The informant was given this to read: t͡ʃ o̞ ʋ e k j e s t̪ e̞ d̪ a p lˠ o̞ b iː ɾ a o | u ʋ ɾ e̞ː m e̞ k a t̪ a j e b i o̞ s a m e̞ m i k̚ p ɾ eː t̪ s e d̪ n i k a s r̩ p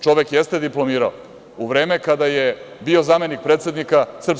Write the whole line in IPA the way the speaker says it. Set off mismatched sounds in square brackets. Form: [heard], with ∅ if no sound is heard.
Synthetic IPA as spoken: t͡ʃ o̞ ʋ e k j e s t̪ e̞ d̪ [i] p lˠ o̞ [m] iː ɾ a o | u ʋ ɾ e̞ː m e̞ k a [d̪] a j e b i o̞ [z] a m e̞ [n] i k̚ p ɾ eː t̪ s e d̪ n i k a s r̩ p